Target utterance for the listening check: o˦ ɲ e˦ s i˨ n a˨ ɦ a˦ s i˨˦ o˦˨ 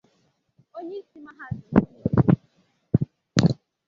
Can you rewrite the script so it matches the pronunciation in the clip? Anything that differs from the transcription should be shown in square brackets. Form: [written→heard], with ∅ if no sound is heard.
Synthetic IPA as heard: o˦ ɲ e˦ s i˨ [n→m] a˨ ɦ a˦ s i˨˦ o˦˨